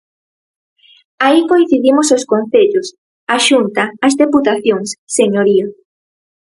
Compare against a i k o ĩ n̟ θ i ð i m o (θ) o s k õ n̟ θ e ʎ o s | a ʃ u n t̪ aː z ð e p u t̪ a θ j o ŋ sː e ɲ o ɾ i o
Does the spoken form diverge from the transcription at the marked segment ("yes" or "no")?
yes